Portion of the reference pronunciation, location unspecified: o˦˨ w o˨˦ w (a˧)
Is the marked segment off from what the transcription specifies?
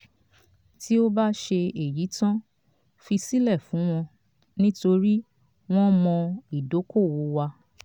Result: no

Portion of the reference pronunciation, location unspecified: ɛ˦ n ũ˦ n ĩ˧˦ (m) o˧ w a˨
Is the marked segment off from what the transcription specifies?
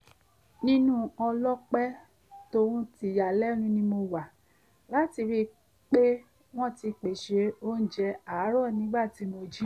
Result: no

